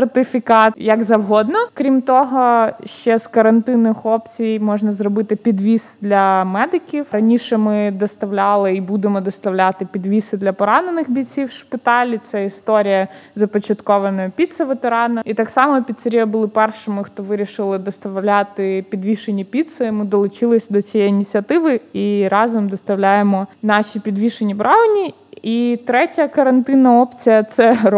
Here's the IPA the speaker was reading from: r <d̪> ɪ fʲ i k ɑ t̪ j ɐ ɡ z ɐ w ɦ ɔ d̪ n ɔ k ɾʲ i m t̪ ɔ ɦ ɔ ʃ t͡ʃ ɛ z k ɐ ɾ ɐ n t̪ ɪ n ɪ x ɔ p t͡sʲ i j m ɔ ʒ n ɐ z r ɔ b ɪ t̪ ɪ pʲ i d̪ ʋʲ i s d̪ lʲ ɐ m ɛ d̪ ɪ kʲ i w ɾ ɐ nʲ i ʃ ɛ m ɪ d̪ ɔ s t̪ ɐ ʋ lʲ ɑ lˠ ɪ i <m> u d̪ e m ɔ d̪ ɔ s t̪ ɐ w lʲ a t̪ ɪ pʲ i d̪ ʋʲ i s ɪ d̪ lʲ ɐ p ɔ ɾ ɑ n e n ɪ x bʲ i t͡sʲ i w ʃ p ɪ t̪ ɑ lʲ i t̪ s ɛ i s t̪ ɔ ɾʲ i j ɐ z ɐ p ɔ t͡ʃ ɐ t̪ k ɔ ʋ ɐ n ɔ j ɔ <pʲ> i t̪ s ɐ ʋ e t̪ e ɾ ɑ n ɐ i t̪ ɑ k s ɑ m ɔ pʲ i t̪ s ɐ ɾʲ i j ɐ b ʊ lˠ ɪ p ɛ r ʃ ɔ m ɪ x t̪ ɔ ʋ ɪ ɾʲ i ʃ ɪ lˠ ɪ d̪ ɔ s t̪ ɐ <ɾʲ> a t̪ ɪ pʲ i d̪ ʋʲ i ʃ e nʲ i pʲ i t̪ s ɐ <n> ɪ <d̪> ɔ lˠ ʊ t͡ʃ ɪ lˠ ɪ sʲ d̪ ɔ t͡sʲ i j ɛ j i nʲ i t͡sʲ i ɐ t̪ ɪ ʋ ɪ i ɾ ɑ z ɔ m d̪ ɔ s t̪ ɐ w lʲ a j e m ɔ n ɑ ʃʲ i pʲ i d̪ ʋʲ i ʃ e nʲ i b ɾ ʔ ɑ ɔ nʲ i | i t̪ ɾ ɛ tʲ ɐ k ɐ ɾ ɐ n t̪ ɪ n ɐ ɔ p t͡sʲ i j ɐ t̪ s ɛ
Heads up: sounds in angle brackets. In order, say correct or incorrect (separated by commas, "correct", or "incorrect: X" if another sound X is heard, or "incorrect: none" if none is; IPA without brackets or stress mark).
incorrect: t̪, incorrect: b, correct, incorrect: lʲ, incorrect: m, correct